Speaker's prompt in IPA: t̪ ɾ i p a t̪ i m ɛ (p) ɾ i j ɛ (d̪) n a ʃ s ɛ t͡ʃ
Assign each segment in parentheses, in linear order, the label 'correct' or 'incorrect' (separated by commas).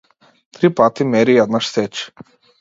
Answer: incorrect, correct